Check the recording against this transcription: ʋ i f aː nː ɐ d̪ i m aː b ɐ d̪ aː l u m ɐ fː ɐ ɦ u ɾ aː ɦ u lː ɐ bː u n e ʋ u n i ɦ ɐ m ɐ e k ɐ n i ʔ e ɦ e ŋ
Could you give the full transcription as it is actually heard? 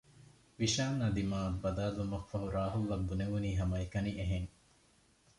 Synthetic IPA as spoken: ʋ i ʃ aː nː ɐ d̪ i m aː b ɐ d̪ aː l u m ɐ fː ɐ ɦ u ɾ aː ɦ u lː ɐ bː u n e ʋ u n iː ɦ ɐ m ɐ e k ɐ n i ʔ e ɦ e ŋ